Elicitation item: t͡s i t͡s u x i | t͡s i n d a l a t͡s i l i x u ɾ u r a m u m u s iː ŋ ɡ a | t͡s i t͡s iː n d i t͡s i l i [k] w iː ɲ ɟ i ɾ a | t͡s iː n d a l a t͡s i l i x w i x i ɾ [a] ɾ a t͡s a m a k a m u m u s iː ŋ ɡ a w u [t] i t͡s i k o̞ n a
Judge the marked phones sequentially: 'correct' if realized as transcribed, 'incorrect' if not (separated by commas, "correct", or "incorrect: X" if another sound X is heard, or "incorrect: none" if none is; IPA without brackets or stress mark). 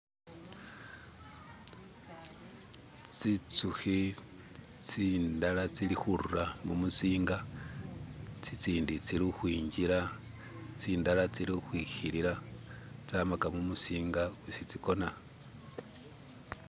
incorrect: x, incorrect: i, incorrect: s